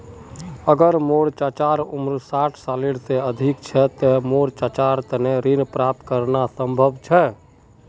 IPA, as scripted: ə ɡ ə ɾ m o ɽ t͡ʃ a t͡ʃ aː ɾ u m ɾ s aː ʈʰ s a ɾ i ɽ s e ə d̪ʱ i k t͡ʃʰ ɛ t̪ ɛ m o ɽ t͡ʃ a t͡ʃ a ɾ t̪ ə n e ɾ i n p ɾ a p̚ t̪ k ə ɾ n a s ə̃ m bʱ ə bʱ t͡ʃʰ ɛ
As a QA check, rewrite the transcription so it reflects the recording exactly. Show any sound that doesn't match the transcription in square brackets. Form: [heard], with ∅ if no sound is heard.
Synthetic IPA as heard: ə ɡ ə ɾ m o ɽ t͡ʃ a t͡ʃ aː ɾ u m ɾ s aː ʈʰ s a [l] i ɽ s e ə d̪ʱ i k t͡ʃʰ ɛ t̪ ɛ m o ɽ t͡ʃ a t͡ʃ a ɾ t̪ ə n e ɾ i n p ɾ a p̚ t̪ k ə ɾ n a s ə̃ m bʱ ə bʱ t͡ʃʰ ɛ